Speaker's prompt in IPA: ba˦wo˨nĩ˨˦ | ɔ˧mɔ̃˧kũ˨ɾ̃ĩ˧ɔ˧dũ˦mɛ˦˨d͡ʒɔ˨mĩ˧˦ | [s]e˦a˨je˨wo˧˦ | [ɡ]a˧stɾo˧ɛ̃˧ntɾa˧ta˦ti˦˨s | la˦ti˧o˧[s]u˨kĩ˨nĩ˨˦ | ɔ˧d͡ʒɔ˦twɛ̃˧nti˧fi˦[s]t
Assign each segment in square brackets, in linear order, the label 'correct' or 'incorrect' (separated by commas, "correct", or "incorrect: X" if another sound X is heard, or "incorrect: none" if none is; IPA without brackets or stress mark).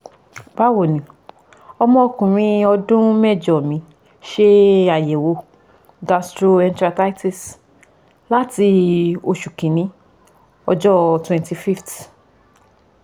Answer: incorrect: ʃ, correct, incorrect: ʃ, incorrect: f